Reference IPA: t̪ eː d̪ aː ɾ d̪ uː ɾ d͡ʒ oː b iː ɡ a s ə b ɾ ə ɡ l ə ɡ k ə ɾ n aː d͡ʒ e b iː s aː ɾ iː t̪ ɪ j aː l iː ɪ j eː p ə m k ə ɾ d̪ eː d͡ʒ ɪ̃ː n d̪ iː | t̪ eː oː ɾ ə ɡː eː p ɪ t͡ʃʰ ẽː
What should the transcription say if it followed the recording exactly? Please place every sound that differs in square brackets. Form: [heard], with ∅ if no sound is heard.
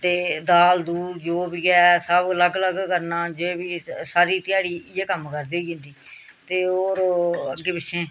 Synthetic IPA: t̪ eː d̪ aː [l] d̪ uː ɾ d͡ʒ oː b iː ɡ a s ə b [l] ə ɡ l ə ɡ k ə ɾ n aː d͡ʒ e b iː s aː ɾ iː t̪ ɪ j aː [ɽ] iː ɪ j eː [k] ə m k ə ɾ d̪ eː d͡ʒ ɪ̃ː n d̪ iː | t̪ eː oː ɾ ə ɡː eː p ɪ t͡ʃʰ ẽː